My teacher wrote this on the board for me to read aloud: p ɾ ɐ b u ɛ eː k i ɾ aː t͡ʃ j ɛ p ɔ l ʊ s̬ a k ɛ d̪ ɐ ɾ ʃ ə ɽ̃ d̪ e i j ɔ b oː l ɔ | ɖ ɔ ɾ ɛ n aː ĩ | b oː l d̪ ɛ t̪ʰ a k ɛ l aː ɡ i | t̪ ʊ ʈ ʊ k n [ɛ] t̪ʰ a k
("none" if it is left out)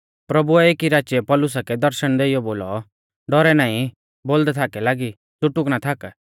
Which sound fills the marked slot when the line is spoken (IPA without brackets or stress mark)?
a